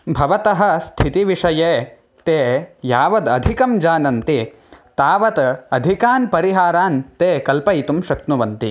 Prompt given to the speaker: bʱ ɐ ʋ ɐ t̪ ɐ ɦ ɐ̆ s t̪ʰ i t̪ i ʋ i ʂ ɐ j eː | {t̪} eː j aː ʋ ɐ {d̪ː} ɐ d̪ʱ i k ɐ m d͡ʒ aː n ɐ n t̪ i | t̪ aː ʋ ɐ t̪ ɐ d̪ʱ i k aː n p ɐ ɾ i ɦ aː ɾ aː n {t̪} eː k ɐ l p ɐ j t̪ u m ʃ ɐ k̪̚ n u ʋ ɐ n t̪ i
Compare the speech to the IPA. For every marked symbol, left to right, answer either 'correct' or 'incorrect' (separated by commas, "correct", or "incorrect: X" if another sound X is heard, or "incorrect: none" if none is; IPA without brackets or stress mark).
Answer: correct, incorrect: d̪, correct